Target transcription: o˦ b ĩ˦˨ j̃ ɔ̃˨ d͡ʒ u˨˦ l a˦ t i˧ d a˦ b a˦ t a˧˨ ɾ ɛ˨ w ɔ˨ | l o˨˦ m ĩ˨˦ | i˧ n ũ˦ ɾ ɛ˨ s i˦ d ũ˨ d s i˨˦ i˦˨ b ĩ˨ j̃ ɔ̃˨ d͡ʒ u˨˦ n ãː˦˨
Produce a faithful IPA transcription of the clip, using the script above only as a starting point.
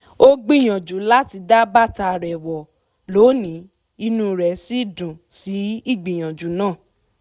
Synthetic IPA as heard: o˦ ɡ͡b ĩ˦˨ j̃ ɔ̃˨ d͡ʒ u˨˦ l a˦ t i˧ d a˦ b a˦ t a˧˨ ɾ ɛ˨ w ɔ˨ | l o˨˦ n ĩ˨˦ | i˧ n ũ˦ ɾ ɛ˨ s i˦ d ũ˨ s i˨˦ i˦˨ ɡ͡b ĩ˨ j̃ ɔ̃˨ d͡ʒ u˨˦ n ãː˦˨